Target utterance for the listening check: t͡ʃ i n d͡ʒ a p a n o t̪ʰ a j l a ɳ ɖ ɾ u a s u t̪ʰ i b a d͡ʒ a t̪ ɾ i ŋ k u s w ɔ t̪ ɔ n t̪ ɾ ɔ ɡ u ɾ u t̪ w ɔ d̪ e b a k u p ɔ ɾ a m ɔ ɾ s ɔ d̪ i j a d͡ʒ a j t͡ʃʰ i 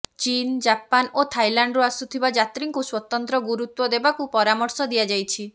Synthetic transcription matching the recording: t͡ʃ i n d͡ʒ a p a n o t̪ʰ a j l a ɳ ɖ ɾ u a s u t̪ʰ i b a d͡ʒ a t̪ ɾ i ŋ k u s w ɔ t̪ ɔ n t̪ ɾ ɔ ɡ u ɾ u t̪ w ɔ d̪ e b a k u p ɔ ɾ a m ɔ ɾ s ɔ d̪ i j a d͡ʒ a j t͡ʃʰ i